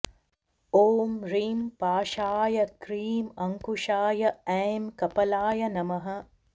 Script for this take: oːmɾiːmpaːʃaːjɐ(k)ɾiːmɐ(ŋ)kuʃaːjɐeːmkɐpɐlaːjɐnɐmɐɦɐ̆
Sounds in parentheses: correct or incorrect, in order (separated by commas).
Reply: correct, correct